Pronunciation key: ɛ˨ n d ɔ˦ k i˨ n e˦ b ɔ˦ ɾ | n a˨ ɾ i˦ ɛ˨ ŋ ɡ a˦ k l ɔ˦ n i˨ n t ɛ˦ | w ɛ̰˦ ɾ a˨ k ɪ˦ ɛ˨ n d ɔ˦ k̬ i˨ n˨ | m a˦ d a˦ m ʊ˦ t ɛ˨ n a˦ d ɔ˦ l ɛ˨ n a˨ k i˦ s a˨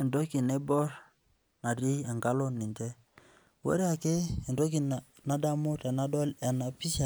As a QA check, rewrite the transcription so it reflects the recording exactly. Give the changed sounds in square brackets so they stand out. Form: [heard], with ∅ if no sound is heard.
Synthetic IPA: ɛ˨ n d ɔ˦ k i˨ n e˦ b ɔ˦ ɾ | n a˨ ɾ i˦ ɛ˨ ŋ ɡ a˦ [∅] l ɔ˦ n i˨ n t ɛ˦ | w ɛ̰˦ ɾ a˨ k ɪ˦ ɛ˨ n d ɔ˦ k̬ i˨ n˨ | [n] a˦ d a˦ m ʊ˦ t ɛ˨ n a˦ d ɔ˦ l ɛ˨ n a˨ [p] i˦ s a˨